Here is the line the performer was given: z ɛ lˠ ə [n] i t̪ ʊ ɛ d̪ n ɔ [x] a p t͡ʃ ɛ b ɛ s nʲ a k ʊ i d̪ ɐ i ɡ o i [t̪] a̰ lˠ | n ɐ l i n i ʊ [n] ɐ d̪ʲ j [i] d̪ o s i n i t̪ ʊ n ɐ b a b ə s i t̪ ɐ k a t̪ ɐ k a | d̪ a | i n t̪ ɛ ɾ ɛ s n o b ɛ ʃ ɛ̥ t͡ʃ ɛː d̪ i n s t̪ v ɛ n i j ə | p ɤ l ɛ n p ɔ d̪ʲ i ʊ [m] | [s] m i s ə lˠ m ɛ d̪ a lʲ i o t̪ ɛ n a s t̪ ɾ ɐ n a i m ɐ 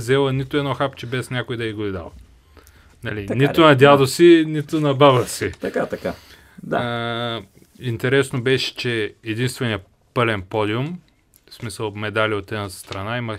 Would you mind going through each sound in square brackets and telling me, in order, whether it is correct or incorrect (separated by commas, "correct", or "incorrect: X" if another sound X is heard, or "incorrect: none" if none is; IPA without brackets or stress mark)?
correct, correct, incorrect: d̪, correct, incorrect: a, correct, correct